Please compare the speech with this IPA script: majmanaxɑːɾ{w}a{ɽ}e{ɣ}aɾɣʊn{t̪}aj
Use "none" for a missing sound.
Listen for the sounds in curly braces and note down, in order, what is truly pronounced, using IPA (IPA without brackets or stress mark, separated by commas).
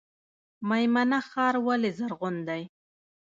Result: w, l, z, d̪